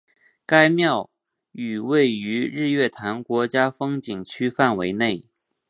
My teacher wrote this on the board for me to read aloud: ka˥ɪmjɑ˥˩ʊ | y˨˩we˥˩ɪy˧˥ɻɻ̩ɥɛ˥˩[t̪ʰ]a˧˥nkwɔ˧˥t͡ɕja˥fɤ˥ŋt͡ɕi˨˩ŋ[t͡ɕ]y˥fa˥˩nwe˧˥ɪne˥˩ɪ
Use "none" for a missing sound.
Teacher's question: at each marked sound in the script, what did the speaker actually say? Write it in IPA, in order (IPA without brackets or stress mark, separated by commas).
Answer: t̪ʰ, t͡ɕʰ